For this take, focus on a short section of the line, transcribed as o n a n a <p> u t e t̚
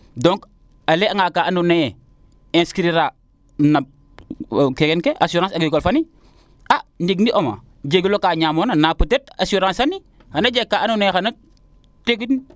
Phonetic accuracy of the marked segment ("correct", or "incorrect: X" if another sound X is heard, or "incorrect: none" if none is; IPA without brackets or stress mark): correct